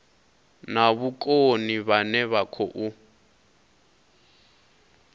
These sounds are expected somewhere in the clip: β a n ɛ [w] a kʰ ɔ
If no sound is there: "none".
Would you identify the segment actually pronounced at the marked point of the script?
β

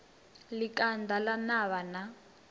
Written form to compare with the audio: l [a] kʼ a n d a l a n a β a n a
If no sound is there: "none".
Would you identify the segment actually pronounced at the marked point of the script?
i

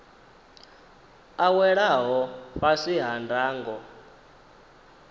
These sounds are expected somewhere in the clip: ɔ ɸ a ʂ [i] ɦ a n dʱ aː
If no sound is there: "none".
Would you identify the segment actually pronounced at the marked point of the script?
i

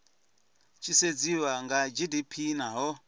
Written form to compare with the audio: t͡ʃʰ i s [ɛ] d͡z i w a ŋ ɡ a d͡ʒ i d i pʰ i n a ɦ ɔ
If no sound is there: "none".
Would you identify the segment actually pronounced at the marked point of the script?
e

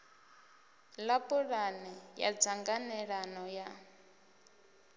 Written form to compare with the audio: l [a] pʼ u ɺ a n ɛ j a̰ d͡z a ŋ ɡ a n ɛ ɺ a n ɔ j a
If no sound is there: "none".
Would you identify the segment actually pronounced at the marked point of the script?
a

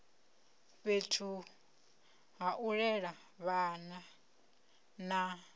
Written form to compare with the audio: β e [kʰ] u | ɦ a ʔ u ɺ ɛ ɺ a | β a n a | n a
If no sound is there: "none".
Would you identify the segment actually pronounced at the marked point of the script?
tʰ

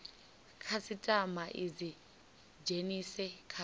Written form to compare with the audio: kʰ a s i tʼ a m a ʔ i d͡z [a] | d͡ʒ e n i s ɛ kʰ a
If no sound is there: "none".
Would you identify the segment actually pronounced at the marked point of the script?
i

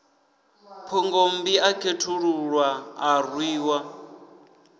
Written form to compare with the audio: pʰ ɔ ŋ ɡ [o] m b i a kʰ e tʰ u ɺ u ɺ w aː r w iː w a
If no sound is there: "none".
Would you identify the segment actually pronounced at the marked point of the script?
o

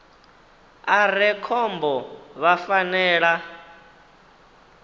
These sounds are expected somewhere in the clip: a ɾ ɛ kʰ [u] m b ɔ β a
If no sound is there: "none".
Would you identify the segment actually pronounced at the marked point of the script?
ɔ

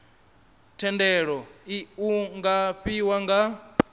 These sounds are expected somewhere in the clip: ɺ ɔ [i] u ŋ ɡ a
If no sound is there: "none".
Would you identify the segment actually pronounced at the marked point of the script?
i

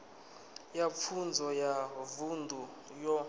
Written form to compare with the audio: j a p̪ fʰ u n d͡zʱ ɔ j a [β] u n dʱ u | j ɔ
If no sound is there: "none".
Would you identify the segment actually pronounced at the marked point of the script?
v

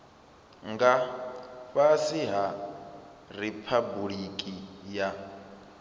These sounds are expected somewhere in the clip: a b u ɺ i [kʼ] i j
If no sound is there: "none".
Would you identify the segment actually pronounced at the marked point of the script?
kʼ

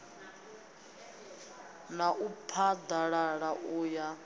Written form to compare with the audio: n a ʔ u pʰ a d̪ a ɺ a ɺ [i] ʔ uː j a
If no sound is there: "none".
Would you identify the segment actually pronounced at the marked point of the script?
a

